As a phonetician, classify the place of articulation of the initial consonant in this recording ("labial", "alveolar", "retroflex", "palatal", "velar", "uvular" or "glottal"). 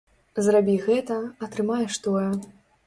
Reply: alveolar